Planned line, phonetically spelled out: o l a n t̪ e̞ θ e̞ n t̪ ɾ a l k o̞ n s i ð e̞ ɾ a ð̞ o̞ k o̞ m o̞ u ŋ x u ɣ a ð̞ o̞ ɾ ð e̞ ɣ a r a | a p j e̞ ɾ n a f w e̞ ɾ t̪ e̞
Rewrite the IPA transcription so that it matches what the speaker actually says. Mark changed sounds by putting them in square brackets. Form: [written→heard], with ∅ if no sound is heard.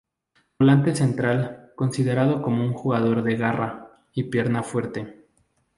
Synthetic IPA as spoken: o l a n t̪ e̞ [θ→s] e̞ n t̪ ɾ a l k o̞ n s i ð e̞ ɾ a ð̞ o̞ k o̞ m o̞ u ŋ x u ɣ a ð̞ o̞ ɾ ð e̞ ɣ a r a | [a→i] p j e̞ ɾ n a f w e̞ ɾ t̪ e̞